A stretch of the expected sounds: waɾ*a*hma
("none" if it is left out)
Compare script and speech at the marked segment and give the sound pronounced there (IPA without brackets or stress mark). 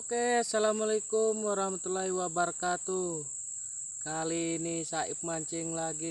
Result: a